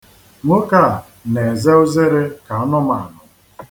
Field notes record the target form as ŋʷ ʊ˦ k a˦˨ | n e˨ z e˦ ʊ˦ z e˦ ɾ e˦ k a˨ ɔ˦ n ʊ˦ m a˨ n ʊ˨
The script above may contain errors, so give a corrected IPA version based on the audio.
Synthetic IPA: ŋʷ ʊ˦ k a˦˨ | n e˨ z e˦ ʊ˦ z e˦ ɾ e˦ k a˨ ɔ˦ n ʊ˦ m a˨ n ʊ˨